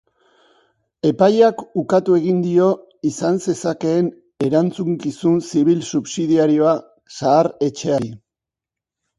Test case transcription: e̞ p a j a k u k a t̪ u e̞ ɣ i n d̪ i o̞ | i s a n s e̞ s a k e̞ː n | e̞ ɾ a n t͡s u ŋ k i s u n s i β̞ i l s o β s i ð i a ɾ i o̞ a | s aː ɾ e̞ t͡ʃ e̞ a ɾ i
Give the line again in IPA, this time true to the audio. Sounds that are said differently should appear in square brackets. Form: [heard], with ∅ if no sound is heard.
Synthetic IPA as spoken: e̞ p a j a k u k a t̪ u e̞ ɣ i n d̪ i o̞ | i s a n s e̞ s a k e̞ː n | e̞ ɾ a n t͡s u ŋ k i s u n s i β̞ i l s [u] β s i ð i a ɾ i o̞ a | s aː ɾ e̞ t͡ʃ e̞ a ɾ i